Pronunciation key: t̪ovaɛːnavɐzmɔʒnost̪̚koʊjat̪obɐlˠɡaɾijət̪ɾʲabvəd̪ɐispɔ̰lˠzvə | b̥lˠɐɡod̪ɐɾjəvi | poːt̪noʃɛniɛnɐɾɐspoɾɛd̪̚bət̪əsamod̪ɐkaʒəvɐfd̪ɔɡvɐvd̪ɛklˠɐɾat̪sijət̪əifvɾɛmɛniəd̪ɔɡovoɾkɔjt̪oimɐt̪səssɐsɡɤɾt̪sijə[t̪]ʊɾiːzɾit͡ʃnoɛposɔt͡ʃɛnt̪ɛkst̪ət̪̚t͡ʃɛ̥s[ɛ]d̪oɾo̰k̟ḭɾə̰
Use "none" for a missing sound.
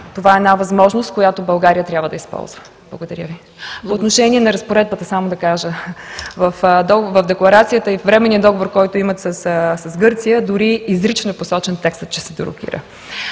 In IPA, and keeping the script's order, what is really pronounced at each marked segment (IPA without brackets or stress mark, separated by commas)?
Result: d̪, ɛ